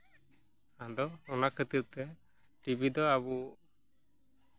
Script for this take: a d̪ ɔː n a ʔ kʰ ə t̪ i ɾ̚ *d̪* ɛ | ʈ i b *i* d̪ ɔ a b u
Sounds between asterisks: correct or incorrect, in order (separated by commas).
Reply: incorrect, correct